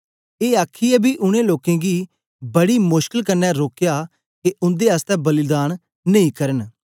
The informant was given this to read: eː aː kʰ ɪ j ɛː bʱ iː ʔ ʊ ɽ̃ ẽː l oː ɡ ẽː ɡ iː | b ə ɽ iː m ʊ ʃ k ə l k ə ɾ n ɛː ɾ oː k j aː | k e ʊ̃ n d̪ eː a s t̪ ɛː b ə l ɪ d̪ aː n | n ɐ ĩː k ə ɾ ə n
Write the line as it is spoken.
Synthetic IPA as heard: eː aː kʰ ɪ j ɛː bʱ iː ʔ ʊ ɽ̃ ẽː l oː k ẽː ɡ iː | b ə ɽ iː m ʊ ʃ k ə l k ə ɾ n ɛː ɾ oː k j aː | k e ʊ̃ n d̪ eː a s t̪ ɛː b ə l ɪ d̪ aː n | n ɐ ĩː k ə ɾ ə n